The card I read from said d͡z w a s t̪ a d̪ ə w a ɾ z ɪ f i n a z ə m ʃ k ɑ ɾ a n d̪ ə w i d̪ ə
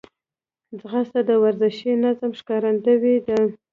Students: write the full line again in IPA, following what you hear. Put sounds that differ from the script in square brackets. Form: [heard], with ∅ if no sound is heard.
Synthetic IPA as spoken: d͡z [ɣ] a s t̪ a d̪ ə w a ɾ z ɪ [ʃ] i n a z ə m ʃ k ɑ ɾ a n d̪ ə w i d̪ ə